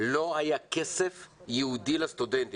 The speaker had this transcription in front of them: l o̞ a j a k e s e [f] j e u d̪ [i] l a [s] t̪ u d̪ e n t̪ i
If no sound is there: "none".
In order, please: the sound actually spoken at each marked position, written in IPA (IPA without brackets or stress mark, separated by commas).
f, i, s